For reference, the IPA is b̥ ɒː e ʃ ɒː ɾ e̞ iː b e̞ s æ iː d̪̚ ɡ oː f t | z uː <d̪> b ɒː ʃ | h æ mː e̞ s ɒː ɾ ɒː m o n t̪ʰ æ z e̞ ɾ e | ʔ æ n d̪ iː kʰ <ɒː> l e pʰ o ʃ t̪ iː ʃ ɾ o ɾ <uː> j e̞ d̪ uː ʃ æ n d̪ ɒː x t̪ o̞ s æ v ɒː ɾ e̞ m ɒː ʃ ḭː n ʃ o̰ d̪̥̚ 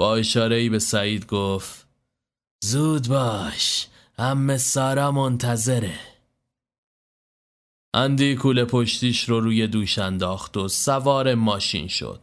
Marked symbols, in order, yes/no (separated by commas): yes, no, yes